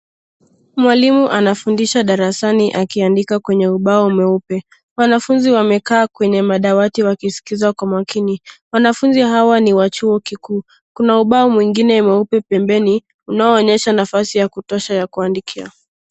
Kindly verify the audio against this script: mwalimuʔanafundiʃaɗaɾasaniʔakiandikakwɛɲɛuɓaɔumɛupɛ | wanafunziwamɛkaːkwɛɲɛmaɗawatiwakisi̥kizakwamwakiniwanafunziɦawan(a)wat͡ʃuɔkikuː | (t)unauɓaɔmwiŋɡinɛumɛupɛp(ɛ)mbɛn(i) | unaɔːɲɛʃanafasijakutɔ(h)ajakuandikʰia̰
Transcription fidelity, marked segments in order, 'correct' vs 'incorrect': incorrect: i, incorrect: k, correct, correct, incorrect: ʃ

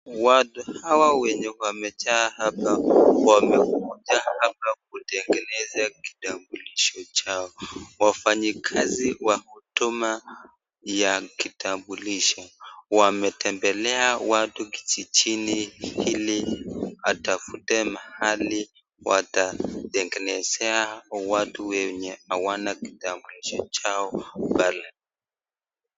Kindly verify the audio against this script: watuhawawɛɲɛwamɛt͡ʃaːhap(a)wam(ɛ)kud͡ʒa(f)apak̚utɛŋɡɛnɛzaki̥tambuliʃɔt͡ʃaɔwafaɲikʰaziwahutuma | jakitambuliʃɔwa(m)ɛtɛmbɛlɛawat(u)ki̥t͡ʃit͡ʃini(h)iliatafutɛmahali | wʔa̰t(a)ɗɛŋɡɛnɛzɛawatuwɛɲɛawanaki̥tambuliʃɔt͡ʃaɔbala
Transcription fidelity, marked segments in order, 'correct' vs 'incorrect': correct, correct, incorrect: h, correct, correct, correct, correct

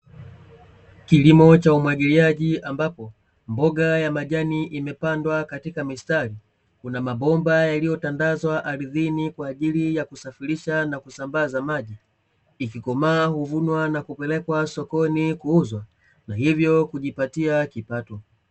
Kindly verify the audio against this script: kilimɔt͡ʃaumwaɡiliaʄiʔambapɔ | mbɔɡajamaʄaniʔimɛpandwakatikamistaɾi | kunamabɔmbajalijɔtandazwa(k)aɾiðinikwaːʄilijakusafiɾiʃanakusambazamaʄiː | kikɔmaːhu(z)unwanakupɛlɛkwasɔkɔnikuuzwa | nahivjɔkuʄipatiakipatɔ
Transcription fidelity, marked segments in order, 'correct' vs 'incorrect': incorrect: ʔ, incorrect: v

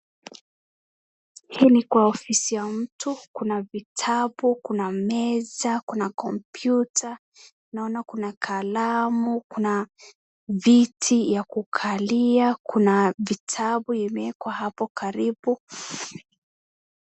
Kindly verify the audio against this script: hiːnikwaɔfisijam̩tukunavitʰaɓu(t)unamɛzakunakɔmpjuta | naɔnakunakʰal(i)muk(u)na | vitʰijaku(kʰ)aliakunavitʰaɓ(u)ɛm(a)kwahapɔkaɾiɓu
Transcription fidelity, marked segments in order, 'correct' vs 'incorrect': incorrect: k, incorrect: a, correct, correct, correct, incorrect: ɛ

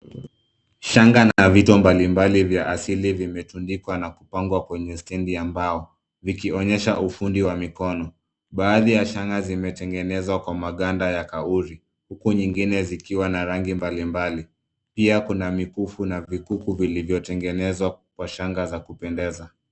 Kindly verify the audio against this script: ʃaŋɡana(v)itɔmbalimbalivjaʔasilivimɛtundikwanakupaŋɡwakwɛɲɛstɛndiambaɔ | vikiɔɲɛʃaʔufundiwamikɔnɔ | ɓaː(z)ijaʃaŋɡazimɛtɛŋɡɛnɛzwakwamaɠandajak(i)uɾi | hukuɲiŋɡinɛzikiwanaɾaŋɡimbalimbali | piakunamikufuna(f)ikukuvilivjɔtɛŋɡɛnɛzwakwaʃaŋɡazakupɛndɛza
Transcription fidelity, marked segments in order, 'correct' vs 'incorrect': correct, incorrect: ð, incorrect: a, incorrect: v

